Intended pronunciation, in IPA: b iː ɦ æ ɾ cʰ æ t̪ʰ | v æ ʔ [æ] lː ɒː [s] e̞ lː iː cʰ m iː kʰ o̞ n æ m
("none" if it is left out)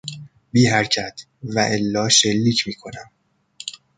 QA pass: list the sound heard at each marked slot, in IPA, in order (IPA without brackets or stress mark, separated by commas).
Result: e, ʃ